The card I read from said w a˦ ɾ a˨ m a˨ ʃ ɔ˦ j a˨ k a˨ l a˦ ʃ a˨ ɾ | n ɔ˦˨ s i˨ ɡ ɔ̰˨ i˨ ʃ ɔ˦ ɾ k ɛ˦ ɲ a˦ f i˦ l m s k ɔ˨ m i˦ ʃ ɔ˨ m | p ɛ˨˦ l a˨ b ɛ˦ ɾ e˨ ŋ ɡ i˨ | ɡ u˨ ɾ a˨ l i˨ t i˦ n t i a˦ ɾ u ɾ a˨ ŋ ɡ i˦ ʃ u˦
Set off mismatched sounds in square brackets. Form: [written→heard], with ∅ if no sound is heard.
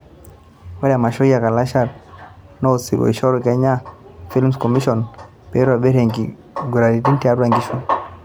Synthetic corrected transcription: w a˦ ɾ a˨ m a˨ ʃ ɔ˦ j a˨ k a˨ l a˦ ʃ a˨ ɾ | n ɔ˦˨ s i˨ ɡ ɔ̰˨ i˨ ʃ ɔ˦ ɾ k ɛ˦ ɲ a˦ f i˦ l m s k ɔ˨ m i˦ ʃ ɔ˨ [m→n] | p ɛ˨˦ [l→ɾ] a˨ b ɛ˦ ɾ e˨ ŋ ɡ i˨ | ɡ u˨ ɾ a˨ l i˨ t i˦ n t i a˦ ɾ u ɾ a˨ ŋ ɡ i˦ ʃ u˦